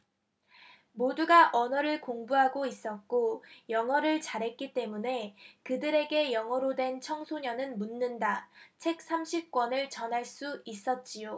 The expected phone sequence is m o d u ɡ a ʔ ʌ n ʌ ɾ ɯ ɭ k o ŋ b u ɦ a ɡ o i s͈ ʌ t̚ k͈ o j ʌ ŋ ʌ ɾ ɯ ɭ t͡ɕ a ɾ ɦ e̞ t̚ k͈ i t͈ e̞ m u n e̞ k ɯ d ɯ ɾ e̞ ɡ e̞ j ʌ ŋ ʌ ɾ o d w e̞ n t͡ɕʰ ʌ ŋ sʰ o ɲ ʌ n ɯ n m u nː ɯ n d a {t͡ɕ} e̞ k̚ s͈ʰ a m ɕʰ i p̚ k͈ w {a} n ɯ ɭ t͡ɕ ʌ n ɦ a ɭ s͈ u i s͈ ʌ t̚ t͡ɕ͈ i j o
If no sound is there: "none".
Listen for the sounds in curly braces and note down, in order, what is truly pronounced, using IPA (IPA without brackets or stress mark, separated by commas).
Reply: t͡ɕʰ, ʌ